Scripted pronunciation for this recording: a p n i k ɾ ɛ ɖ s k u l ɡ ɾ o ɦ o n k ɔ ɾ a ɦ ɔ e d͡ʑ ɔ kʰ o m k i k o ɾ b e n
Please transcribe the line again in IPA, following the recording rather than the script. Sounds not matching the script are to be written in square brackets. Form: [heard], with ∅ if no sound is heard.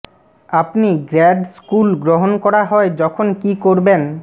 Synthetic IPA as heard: a p n i [ɡ] ɾ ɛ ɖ s k u l ɡ ɾ o ɦ o n k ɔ ɾ a ɦ ɔ e d͡ʑ ɔ kʰ o [n] k i k o ɾ b e n